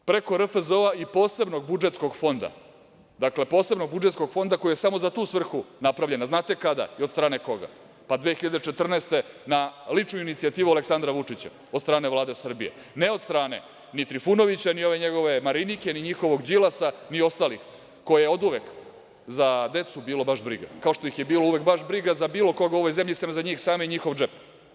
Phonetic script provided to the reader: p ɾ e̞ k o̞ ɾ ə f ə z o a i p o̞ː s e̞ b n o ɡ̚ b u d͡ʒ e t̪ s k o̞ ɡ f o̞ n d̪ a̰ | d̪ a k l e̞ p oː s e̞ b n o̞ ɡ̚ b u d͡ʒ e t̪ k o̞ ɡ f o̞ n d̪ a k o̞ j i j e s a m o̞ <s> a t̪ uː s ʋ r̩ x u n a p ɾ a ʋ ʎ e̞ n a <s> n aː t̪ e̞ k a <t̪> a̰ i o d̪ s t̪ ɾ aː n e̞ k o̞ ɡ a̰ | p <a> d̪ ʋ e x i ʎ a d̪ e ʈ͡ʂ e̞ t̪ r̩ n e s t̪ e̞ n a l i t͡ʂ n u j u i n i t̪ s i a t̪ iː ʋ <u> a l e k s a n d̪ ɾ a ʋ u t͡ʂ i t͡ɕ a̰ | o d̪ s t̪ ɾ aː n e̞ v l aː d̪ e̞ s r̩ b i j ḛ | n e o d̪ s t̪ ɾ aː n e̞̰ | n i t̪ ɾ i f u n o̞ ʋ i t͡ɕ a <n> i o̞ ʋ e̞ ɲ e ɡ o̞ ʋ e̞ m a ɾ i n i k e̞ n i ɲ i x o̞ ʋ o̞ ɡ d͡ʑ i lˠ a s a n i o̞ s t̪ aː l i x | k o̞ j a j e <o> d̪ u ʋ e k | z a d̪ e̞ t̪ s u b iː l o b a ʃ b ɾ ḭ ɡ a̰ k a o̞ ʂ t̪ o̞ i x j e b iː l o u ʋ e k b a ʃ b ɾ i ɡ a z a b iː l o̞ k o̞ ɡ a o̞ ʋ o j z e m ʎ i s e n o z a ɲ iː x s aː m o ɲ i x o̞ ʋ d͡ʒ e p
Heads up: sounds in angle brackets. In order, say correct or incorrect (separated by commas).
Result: incorrect, incorrect, incorrect, correct, correct, correct, correct